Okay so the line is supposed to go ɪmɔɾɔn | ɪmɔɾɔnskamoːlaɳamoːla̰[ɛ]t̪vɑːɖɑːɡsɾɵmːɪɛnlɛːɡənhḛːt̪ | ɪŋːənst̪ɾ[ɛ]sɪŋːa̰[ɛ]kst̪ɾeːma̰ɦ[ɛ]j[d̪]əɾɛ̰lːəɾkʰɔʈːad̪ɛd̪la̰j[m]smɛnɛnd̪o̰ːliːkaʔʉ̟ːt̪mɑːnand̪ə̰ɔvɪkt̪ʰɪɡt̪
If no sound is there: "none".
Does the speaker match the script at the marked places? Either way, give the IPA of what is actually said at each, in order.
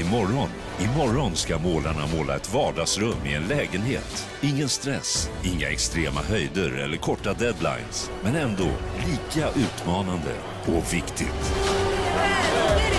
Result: ɛ, ɛ, ɛ, œ, d̪, n

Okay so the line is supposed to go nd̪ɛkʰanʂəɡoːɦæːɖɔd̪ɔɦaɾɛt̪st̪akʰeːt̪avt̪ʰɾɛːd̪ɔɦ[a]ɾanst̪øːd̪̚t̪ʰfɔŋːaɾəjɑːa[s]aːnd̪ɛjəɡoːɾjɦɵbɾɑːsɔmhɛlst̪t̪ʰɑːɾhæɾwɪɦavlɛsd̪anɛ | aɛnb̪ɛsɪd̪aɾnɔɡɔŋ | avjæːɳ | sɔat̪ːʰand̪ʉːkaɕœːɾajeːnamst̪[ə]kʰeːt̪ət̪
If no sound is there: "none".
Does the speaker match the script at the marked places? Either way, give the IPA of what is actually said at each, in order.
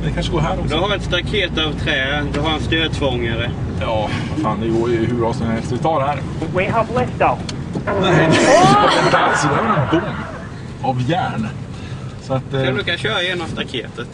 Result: a, f, a

